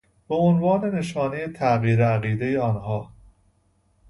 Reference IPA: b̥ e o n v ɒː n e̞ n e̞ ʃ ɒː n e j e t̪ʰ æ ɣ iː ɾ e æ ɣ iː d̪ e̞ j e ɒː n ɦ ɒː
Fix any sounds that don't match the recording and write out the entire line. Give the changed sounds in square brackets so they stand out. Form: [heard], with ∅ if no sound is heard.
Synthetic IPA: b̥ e o n v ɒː n e̞ n e̞ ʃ ɒː n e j e t̪ʰ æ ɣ iː ɾ e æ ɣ iː d̪ e̞ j e ɒː n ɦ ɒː